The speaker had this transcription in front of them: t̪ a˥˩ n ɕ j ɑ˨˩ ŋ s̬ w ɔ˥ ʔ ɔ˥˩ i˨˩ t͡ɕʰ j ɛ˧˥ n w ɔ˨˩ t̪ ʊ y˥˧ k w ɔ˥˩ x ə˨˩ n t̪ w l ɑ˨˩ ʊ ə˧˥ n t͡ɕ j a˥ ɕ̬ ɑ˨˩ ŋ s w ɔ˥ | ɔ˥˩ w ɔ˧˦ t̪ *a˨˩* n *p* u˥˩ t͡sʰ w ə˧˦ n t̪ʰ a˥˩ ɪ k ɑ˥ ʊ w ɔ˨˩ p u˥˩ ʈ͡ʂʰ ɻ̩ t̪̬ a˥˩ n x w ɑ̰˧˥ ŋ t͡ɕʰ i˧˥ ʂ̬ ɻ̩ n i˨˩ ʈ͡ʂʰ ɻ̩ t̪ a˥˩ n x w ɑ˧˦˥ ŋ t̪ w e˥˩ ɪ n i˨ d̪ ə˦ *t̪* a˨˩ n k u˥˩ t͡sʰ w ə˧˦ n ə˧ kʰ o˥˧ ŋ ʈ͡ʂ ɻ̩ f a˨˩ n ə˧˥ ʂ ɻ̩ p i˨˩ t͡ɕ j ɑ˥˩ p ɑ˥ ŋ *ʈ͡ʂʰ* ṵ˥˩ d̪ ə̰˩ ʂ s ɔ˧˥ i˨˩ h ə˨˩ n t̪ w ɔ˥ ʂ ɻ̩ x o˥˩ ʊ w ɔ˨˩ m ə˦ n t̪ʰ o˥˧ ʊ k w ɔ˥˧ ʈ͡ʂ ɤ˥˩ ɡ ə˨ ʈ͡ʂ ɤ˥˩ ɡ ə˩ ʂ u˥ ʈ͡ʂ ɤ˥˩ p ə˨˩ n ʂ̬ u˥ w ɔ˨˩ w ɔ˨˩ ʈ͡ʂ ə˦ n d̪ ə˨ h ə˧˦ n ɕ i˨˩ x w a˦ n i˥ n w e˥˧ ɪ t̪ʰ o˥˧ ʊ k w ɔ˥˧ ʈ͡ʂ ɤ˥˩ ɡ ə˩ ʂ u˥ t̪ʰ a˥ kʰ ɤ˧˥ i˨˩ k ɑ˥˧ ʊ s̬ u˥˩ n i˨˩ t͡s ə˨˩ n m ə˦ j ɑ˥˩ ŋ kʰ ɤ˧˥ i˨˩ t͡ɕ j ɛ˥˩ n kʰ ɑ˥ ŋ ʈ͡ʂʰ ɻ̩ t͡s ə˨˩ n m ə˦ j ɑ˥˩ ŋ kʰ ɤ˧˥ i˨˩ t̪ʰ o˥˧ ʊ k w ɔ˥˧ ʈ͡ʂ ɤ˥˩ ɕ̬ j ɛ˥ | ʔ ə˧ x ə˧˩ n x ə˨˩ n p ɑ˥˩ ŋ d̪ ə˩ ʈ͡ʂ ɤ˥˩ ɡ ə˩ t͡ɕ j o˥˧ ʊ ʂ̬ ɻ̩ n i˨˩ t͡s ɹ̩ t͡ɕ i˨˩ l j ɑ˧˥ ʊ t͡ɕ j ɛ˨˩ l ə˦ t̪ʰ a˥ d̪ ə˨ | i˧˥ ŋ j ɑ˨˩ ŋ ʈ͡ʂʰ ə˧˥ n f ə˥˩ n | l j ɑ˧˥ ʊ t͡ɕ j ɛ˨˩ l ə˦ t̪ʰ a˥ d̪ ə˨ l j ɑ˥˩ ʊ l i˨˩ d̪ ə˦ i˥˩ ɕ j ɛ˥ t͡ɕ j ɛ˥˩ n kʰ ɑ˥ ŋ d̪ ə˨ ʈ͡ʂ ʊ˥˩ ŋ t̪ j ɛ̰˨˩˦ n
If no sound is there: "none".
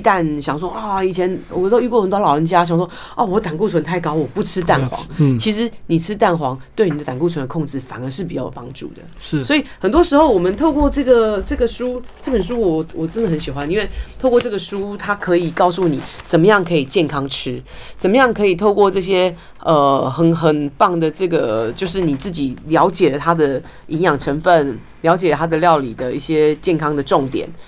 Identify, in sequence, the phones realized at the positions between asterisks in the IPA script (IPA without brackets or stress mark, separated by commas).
a˨˩, k, t̪, ʈ͡ʂ